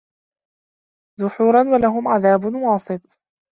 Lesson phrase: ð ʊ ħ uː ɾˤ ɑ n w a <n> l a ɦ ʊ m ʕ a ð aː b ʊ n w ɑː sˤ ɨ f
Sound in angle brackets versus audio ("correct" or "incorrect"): incorrect